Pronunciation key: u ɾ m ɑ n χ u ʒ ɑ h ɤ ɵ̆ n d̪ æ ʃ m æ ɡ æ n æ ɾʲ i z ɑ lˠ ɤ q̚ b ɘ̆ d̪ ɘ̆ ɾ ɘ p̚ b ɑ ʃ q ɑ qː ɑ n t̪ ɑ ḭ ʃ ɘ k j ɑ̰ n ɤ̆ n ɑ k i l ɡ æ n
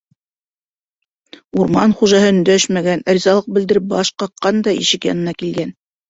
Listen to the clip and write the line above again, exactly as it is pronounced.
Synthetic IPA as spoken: u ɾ m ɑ n χ u ʒ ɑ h ɤ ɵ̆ n d̪ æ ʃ m æ ɡ æ n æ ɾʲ i z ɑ lˠ ɤ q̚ b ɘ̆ d̪ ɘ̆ ɾ ɘ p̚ b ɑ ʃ q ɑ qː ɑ n d̪ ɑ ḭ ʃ ɘ k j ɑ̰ n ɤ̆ n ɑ k i l ɡ æ n